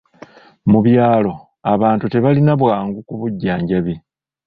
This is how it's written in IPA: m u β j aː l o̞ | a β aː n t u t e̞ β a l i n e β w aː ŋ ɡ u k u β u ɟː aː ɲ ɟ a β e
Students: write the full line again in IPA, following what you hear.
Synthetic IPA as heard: m u β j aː l o̞ | a β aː n t u t e̞ β a l i n a β w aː ŋ ɡ u k u β u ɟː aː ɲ ɟ a β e